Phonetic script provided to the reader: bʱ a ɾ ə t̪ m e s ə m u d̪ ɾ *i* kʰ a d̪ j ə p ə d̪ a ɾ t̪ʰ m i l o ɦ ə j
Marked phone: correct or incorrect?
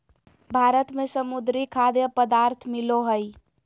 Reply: correct